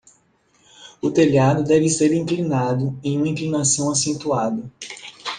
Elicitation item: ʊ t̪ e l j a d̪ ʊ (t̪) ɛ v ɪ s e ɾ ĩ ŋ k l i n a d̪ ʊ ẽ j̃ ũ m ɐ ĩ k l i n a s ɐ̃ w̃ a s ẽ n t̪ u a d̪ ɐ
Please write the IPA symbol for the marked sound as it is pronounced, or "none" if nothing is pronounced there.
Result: d̪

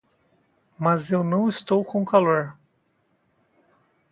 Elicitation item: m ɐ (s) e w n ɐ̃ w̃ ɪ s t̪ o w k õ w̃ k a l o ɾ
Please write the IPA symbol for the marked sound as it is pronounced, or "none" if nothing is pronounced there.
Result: z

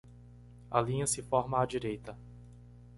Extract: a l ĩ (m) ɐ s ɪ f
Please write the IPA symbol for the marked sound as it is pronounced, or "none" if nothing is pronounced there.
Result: ɲ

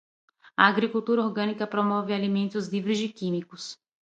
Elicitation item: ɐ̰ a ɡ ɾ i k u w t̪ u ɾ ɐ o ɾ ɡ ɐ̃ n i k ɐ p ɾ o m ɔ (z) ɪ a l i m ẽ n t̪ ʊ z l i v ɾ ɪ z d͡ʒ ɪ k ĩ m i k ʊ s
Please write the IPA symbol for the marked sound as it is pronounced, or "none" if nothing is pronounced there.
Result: v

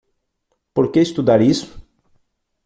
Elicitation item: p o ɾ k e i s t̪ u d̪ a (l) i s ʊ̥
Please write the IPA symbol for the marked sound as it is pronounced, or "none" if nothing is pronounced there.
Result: ɾ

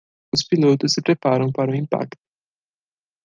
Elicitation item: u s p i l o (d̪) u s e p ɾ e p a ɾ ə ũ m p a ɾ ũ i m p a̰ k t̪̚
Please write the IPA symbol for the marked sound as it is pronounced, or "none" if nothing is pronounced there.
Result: t̪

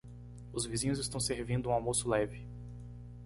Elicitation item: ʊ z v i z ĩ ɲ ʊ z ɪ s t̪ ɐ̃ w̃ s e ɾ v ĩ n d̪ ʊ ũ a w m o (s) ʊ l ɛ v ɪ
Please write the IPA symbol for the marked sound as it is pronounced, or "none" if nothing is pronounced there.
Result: s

